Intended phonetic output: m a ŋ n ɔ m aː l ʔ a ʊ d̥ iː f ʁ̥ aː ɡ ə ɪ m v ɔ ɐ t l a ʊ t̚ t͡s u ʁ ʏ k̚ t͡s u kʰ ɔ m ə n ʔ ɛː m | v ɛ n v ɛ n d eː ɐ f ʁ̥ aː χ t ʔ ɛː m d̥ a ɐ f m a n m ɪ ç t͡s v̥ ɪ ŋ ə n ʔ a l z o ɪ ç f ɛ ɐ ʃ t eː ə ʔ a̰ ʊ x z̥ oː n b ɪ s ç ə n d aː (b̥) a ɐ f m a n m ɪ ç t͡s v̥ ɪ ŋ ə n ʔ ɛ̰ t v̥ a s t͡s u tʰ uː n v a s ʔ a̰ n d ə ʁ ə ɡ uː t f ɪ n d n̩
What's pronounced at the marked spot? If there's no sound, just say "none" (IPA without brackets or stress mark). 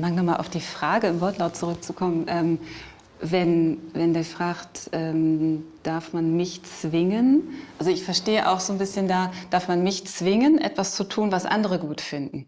d̥